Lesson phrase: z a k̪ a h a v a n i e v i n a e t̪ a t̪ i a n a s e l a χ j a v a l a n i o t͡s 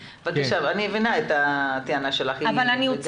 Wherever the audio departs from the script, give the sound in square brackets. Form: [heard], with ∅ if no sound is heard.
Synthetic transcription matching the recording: [v] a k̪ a [ʃ] a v a n i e v i n a e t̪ a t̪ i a n a [ʃ] e l a χ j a v a l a n i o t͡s